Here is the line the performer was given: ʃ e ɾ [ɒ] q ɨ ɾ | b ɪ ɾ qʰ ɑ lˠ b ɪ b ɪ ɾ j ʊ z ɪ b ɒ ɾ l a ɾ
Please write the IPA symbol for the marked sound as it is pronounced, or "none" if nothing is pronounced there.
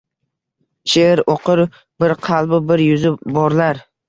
o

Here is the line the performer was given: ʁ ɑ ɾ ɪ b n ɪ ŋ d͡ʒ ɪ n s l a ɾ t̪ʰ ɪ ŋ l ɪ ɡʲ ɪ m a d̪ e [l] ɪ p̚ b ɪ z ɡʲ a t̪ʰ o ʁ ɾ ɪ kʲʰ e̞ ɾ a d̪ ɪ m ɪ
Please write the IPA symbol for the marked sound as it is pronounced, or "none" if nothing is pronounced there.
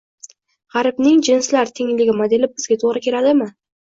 l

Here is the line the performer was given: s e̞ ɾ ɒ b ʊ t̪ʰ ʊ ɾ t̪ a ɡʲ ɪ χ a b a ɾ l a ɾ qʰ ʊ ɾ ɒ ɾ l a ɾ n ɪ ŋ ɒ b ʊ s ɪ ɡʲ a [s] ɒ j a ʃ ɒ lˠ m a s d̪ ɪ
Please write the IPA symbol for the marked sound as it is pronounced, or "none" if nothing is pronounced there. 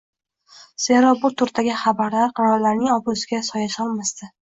s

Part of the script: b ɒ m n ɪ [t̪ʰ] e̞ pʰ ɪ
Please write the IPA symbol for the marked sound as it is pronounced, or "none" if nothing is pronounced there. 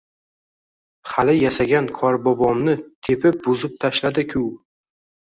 t̪ʰ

